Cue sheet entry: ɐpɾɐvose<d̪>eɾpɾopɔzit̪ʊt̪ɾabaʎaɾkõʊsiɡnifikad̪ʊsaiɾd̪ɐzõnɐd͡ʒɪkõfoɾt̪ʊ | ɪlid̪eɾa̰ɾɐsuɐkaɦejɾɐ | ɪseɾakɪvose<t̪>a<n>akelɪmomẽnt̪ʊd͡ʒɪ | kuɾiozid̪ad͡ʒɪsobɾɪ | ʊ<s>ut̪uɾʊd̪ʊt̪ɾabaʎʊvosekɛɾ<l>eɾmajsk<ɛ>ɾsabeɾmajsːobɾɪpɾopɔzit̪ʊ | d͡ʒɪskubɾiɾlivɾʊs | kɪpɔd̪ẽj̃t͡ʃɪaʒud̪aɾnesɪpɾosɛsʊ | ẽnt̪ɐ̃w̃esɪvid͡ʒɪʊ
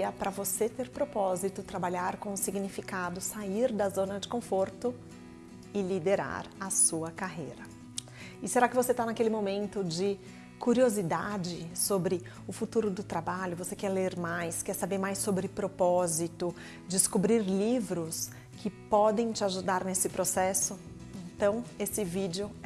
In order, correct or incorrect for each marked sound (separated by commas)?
incorrect, correct, correct, incorrect, correct, correct